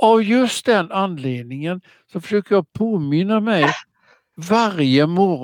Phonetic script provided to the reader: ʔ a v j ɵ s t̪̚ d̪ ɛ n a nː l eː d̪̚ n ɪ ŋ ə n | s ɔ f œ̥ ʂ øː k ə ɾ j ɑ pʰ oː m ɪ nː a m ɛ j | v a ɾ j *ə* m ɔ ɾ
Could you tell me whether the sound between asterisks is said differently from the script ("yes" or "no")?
no